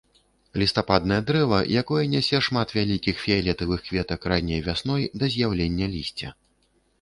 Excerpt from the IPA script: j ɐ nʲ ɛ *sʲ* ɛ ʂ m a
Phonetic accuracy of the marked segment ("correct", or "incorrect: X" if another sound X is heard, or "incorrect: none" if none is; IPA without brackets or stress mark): correct